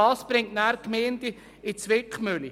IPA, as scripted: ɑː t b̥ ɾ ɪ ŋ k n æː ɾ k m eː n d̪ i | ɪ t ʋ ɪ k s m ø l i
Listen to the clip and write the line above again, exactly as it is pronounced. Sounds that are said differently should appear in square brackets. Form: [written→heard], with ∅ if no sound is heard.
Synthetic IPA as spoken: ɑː [t→s] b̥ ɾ ɪ ŋ [k→t] n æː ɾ k m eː n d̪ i | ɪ [t→t͡s] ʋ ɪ k [s→χ] m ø l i